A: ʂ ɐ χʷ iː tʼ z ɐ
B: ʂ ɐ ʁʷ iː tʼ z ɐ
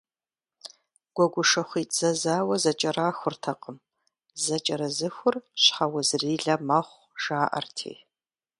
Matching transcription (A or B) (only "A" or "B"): A